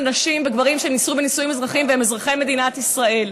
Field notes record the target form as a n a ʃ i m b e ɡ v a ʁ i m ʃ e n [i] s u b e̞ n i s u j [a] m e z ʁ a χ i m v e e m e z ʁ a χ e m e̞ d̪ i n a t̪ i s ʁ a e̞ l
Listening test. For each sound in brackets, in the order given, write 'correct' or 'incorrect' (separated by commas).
correct, incorrect